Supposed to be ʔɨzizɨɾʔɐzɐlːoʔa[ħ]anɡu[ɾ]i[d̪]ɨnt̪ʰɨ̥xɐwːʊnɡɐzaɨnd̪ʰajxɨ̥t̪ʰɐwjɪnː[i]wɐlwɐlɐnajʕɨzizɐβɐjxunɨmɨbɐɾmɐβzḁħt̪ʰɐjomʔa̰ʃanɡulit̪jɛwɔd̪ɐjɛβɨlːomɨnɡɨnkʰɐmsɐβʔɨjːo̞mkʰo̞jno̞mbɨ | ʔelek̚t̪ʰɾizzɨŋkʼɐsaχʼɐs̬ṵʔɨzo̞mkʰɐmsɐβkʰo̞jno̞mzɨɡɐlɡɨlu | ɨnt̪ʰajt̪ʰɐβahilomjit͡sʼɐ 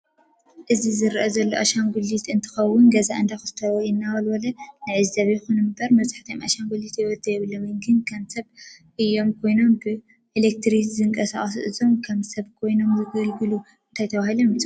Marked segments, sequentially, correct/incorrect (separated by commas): incorrect, incorrect, incorrect, incorrect